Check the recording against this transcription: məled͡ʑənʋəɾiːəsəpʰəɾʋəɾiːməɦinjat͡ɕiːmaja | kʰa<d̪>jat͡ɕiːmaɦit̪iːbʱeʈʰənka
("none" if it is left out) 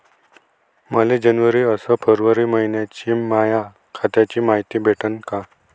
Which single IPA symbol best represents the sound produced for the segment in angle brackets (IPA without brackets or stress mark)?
t̪